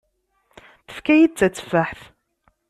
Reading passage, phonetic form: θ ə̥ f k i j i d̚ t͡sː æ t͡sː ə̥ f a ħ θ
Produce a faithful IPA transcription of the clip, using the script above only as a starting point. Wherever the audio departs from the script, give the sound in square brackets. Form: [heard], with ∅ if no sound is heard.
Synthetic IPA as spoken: θ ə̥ f k [æ] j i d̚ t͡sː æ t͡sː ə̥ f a ħ θ